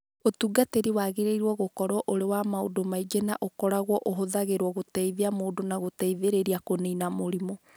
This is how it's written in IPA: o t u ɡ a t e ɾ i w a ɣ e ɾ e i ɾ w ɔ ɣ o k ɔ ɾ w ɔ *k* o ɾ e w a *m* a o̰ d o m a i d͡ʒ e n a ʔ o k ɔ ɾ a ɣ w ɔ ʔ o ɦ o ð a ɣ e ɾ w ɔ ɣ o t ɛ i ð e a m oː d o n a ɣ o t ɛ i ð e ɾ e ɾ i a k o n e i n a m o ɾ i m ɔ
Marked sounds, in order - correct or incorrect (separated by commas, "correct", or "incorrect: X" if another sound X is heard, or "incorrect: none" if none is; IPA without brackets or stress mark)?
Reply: incorrect: ʔ, correct